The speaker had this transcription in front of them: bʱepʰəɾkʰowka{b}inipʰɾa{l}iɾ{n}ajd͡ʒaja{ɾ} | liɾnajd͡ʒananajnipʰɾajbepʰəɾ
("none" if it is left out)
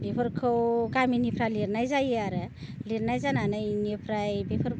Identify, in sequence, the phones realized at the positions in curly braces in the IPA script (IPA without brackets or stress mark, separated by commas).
m, l, n, ɾ